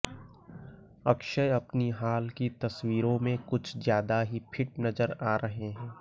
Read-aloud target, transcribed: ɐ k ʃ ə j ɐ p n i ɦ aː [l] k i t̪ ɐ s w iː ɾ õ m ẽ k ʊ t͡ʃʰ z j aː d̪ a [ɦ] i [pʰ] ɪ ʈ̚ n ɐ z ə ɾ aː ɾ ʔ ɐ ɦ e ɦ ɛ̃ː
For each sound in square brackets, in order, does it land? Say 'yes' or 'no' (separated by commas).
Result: yes, yes, yes